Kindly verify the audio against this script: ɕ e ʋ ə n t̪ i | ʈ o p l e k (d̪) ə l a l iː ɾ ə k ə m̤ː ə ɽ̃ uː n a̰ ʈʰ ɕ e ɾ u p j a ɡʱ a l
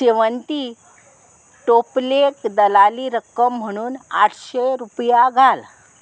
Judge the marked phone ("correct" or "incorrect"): correct